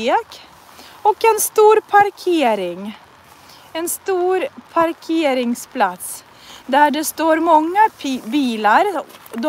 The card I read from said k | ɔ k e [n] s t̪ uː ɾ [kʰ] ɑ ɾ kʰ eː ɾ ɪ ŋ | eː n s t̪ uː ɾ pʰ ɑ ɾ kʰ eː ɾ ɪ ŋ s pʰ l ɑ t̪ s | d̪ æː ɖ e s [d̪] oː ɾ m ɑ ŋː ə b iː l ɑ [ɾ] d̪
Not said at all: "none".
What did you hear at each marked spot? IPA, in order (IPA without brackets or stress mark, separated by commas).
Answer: n, pʰ, t̪, ɾ